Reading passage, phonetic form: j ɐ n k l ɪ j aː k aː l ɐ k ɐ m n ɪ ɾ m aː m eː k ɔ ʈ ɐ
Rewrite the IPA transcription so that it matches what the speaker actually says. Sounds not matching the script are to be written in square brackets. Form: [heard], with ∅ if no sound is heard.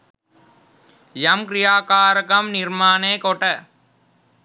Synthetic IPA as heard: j ɐ [m] k [ɾ] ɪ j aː k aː [ɾ] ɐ k ɐ m n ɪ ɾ m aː [n] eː k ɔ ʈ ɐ